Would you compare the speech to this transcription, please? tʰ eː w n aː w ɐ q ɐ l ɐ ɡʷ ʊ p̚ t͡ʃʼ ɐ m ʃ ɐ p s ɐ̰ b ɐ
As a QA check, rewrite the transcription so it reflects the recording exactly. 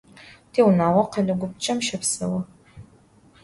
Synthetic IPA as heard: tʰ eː w n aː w ɐ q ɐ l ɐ ɡʷ ʊ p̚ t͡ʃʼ ɐ m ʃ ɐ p s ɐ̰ w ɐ